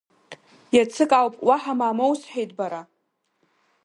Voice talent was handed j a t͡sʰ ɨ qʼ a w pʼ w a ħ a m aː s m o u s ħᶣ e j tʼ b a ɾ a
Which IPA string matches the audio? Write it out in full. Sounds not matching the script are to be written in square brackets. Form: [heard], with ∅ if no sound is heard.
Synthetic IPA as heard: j a t͡sʰ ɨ [kʼ] a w pʼ w a ħ a m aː [∅] m o [w] s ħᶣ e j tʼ b a ɾ a